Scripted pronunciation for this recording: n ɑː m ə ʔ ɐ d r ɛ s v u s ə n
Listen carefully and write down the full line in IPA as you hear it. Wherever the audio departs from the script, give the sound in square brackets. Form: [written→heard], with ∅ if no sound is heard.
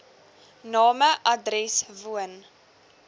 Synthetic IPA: n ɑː m ə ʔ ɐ d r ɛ s v u [s→∅] ə n